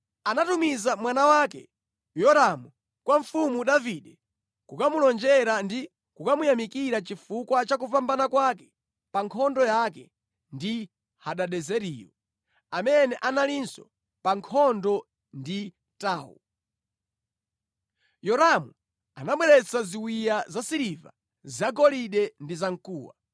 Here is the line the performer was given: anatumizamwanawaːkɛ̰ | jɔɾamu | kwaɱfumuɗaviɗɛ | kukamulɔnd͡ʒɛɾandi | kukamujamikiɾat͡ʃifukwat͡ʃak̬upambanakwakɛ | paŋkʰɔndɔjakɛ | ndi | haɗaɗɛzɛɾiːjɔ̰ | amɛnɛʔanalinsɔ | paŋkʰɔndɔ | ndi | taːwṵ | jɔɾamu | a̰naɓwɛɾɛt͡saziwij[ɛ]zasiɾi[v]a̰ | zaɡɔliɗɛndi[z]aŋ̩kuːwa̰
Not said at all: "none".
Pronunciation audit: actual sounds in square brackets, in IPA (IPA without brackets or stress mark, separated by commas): a, v, z